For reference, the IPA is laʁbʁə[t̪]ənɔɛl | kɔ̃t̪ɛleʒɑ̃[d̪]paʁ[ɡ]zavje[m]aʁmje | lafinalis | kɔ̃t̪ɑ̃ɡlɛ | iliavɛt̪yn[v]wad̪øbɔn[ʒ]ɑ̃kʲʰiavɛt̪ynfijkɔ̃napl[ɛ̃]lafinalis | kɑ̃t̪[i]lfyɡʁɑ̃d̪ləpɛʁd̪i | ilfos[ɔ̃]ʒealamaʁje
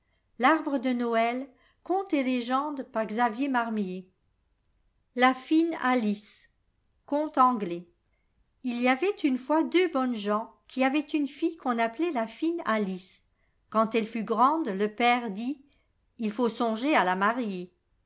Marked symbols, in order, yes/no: no, yes, yes, yes, no, yes, no, no, yes

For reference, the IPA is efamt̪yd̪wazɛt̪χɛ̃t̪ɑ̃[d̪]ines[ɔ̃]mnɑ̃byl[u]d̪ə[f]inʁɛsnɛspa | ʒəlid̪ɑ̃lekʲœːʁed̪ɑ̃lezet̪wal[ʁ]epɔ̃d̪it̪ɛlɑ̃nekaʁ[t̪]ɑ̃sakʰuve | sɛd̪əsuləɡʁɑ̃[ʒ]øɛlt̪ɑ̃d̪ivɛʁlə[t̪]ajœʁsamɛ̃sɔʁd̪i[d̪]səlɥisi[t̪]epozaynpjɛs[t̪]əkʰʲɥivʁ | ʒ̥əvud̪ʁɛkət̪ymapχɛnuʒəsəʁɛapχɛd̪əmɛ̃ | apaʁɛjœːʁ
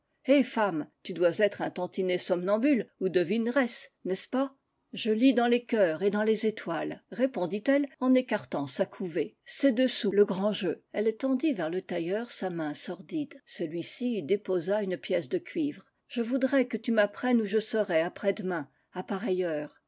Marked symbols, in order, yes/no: no, no, yes, no, yes, yes, yes, yes, yes, no, no

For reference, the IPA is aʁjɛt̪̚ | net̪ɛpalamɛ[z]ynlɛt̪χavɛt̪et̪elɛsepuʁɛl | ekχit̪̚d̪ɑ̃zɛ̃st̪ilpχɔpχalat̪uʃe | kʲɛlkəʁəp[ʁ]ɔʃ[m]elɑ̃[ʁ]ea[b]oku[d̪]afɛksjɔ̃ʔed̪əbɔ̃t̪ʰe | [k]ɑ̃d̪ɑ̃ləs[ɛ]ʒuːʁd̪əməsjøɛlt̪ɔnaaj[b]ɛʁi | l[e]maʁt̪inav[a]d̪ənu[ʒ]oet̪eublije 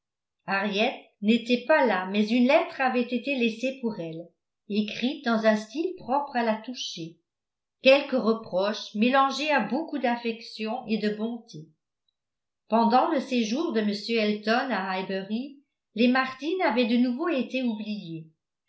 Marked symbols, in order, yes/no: yes, no, yes, no, yes, yes, no, no, yes, yes, no, no

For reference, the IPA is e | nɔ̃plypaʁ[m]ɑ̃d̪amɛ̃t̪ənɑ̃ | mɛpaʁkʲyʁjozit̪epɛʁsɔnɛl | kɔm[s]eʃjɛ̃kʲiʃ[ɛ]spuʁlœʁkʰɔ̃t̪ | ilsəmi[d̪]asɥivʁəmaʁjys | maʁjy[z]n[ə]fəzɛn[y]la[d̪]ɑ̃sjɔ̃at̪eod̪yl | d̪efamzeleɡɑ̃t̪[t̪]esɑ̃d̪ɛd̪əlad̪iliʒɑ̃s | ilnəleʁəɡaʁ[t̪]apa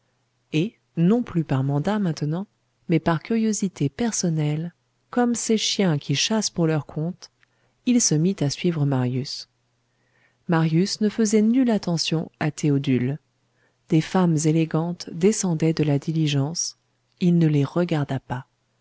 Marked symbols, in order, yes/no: yes, yes, no, no, no, yes, yes, no, no, no

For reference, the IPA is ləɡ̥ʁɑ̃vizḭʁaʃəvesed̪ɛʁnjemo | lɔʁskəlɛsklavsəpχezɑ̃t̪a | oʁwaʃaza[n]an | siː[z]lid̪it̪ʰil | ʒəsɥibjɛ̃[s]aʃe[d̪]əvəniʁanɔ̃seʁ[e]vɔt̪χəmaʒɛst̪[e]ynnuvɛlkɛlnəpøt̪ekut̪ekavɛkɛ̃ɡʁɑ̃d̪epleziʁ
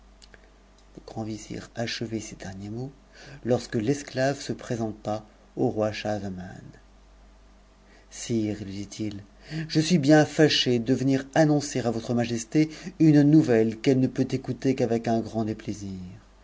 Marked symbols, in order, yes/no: no, no, no, yes, no, yes

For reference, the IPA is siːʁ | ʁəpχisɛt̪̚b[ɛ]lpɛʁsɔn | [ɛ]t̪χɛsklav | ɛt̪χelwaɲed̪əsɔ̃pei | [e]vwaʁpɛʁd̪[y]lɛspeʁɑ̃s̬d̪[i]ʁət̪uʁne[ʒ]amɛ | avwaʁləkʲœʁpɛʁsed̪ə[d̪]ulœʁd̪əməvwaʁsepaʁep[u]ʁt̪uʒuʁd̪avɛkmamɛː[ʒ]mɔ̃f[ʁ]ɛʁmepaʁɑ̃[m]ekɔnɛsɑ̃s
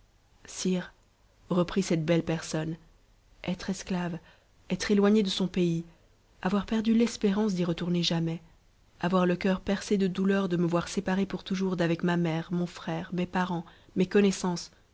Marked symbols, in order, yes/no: yes, yes, no, yes, yes, yes, yes, yes, no, no, yes

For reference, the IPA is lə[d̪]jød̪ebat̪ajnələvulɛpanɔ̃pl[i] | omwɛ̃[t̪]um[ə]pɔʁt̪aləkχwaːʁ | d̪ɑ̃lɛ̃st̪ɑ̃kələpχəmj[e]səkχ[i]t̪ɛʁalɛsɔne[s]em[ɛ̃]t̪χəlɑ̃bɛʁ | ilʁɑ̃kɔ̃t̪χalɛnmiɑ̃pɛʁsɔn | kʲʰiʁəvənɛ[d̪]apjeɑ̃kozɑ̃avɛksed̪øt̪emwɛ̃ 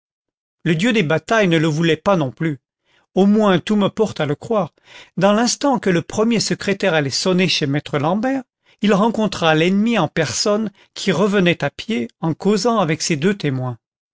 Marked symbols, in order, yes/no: yes, no, yes, yes, yes, no, no, no, no

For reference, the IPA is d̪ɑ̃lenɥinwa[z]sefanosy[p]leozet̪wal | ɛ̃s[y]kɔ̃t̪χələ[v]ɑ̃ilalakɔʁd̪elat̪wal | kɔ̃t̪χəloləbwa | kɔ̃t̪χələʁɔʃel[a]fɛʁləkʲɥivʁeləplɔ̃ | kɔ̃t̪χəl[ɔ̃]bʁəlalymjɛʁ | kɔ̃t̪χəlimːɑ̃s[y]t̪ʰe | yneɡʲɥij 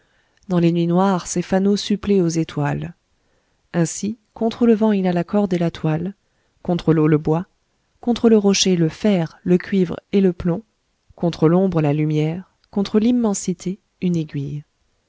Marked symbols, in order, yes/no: no, yes, no, yes, no, yes, no

